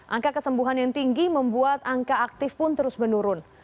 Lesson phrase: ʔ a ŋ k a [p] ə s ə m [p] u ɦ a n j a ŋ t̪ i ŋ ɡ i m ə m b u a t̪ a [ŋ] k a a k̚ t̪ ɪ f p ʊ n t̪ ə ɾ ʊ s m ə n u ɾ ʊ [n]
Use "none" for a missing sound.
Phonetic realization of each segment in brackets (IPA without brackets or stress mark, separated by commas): k, b, ŋ, n